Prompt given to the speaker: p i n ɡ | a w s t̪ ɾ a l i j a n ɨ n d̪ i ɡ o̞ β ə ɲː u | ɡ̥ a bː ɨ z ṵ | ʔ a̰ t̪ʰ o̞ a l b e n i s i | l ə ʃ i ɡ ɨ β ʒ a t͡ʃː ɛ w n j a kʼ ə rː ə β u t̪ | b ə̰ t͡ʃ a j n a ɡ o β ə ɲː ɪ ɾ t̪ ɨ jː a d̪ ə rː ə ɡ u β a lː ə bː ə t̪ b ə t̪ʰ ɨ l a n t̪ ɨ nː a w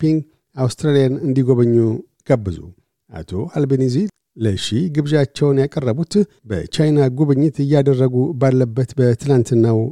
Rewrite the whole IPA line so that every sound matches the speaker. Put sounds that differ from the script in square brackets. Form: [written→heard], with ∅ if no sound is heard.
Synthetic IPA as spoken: p i [n→ŋ] ɡ | a w s t̪ ɾ a l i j a n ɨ n d̪ i ɡ o̞ β ə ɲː u | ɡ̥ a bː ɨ z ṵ | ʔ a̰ t̪ʰ o̞ a l b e n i [s→z] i | l ə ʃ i ɡ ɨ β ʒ a t͡ʃː ɛ w n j a kʼ ə rː ə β u t̪ | b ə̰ t͡ʃ a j n a ɡ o β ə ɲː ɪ [ɾ→∅] t̪ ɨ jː a d̪ ə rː ə ɡ u [β→b] a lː ə bː ə t̪ b ə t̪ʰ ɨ l a n t̪ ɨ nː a w